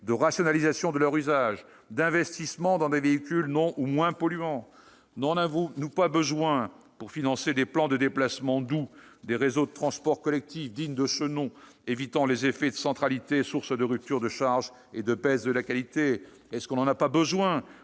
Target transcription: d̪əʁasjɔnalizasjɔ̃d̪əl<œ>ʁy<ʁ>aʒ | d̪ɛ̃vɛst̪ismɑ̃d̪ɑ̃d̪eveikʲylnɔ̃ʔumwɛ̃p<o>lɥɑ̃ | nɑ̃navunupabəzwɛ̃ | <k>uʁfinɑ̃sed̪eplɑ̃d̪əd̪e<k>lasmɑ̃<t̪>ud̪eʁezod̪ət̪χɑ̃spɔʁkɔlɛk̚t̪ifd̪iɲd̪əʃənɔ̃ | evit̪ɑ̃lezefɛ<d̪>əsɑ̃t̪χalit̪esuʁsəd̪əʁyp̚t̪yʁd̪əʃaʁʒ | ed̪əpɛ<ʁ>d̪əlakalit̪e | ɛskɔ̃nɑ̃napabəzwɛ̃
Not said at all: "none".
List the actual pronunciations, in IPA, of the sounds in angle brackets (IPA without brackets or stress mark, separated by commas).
œ, z, ɔ, p, p, d̪, d̪, z